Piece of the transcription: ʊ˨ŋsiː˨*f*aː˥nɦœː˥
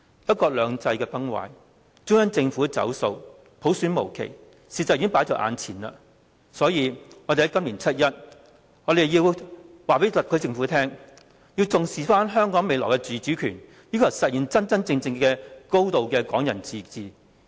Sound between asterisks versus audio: correct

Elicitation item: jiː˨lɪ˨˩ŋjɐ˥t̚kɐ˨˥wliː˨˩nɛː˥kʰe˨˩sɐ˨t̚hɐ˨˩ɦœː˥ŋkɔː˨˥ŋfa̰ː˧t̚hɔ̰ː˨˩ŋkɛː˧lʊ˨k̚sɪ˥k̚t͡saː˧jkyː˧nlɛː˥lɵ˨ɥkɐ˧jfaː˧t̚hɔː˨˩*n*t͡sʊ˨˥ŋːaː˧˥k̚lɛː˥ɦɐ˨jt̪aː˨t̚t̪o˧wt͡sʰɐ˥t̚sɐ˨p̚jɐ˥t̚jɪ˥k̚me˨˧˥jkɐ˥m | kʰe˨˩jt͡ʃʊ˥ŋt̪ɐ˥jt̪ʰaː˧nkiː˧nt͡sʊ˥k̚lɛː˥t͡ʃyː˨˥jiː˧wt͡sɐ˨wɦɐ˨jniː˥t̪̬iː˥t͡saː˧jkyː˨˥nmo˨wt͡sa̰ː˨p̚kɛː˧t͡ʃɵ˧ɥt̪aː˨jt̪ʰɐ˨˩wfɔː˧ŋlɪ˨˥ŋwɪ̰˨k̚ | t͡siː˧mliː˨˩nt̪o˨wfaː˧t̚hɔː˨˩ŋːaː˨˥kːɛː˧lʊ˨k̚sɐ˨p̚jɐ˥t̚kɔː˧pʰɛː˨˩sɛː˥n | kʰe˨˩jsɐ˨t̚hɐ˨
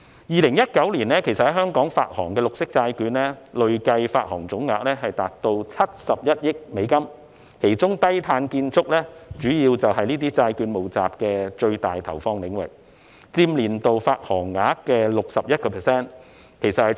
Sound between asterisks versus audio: incorrect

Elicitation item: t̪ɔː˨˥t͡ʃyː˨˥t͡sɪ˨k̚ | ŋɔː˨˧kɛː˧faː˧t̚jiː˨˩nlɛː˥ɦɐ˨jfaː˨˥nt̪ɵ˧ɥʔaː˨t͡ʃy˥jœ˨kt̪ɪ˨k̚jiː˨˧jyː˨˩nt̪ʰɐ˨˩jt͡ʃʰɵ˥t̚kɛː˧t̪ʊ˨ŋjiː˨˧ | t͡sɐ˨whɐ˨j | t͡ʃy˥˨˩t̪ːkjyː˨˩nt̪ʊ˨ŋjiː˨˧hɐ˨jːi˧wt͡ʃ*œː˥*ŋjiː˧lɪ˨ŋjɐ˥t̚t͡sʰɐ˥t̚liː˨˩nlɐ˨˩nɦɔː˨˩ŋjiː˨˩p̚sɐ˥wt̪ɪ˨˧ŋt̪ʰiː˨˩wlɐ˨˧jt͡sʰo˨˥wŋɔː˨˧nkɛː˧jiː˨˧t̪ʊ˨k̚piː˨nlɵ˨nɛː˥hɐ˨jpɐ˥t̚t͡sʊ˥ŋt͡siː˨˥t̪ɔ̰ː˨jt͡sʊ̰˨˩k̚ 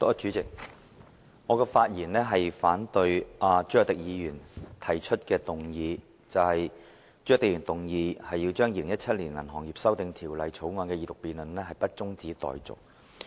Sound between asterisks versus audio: correct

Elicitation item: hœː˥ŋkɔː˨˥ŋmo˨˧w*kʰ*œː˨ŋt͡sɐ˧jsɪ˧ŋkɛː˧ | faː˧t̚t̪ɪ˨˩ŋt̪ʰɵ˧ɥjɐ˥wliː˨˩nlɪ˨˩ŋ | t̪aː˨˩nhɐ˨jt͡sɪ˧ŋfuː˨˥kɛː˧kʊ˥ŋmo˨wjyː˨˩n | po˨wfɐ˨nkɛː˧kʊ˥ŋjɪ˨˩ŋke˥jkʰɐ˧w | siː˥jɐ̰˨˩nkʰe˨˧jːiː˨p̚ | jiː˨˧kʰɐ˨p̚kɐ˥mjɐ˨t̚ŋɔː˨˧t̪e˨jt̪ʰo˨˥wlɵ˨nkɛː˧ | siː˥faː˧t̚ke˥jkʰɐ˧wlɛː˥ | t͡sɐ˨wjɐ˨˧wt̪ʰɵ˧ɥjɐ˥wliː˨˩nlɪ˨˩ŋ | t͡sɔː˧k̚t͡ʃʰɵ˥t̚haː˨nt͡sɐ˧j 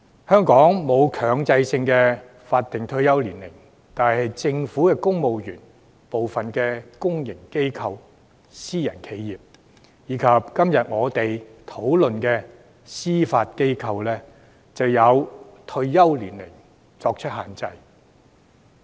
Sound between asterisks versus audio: correct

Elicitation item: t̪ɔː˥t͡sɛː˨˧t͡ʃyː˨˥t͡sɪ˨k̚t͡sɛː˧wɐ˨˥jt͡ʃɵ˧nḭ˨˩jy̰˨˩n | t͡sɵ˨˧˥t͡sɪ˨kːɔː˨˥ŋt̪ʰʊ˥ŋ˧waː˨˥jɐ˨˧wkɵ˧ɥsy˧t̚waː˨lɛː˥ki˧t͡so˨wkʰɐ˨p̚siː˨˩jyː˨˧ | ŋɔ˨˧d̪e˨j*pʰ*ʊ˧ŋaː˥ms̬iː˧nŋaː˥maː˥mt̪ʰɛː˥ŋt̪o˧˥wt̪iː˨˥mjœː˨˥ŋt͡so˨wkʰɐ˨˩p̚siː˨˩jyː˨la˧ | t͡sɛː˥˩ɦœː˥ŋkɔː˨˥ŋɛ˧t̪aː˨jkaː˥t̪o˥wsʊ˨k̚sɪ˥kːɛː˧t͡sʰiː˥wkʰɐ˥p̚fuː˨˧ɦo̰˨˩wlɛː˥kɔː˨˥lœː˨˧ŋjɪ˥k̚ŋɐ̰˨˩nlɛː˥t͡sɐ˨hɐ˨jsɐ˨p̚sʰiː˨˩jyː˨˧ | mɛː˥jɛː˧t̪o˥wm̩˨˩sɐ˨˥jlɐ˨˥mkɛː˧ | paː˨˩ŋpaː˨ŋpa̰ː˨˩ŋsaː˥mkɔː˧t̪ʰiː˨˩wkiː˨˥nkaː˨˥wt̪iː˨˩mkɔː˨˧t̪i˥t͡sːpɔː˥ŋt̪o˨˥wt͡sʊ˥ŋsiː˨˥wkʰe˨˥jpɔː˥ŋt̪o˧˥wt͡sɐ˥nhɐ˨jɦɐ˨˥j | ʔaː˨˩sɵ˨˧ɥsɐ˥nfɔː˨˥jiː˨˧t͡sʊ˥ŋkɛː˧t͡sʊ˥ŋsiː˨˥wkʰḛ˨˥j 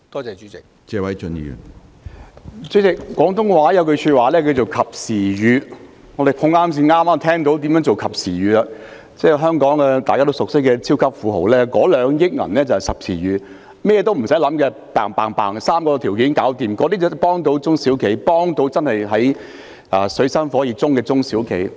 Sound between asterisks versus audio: correct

